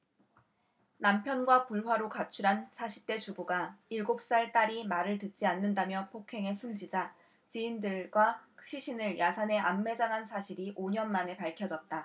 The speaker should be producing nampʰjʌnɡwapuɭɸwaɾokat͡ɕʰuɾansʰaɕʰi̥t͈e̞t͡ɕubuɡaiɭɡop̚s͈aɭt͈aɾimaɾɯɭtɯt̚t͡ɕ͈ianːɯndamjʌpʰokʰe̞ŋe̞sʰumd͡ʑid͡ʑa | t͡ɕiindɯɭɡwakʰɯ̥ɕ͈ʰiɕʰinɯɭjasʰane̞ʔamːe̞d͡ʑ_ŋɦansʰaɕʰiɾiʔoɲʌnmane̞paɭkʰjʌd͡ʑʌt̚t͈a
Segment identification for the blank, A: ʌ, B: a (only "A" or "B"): B